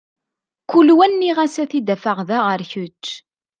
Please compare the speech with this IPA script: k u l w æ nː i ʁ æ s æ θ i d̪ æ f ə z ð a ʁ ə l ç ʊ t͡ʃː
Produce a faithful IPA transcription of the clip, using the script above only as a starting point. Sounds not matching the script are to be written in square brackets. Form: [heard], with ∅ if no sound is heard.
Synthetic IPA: k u l w æ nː i ʁ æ s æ θ i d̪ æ f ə [ʁ] ð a ʁ ə [ɾ] ç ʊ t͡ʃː